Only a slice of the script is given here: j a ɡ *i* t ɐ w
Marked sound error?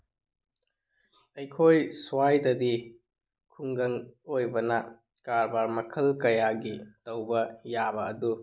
no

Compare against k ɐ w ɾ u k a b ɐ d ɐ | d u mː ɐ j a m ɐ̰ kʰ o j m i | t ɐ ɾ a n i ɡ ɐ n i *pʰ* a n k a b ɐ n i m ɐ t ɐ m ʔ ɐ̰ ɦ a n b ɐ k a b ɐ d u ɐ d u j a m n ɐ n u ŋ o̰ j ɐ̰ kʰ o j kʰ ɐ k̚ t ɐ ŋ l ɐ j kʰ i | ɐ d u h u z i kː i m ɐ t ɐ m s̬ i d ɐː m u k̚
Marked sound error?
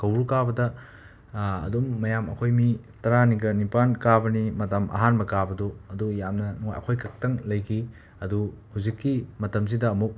yes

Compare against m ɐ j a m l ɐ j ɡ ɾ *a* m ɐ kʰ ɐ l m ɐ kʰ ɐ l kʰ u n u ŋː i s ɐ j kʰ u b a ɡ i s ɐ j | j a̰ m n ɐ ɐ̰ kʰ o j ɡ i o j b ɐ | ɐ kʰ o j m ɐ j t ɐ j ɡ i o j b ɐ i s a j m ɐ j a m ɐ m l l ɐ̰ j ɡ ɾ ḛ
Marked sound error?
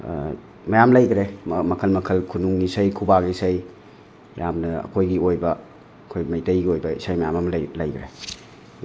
yes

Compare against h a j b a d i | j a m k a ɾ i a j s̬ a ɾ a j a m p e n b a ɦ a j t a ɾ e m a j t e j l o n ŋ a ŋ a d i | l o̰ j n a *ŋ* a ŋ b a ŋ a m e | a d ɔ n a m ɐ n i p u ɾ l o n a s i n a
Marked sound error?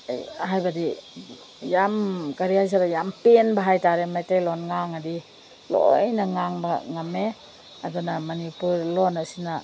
no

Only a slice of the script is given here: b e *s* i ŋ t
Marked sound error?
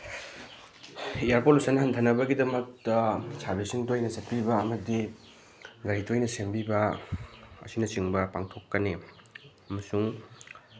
no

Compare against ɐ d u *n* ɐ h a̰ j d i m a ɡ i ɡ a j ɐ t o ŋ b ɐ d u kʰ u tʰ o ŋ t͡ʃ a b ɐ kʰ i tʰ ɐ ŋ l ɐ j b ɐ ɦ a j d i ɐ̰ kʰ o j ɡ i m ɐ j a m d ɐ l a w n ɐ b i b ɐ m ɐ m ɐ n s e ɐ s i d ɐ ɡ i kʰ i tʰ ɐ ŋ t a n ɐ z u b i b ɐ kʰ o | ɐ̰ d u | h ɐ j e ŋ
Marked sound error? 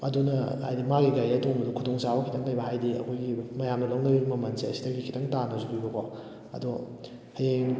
no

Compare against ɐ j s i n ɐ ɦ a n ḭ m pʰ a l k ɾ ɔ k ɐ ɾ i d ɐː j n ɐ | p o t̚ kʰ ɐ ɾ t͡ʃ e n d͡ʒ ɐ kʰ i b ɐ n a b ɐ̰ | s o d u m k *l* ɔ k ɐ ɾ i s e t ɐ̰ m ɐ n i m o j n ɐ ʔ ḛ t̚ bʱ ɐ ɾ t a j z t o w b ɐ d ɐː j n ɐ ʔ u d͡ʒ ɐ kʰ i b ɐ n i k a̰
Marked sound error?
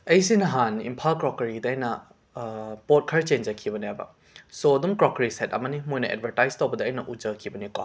yes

